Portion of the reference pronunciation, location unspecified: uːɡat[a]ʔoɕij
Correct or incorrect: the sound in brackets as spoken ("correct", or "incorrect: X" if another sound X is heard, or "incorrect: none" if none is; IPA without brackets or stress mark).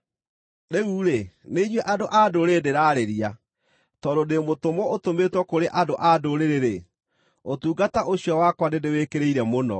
correct